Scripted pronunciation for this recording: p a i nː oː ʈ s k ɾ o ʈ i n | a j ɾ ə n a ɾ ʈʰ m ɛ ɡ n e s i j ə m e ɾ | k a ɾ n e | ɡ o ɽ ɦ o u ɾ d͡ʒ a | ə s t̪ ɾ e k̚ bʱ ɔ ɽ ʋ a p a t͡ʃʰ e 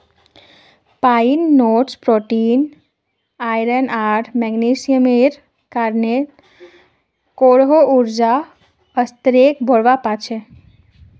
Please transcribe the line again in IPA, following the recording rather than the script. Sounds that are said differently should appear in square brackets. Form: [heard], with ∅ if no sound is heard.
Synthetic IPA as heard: p a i nː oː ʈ s [p] ɾ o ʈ i n | a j ɾ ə n a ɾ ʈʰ m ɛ ɡ n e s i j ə m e ɾ | k a ɾ n e | [k] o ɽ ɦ o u ɾ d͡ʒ a | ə s t̪ ɾ e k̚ bʱ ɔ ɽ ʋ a p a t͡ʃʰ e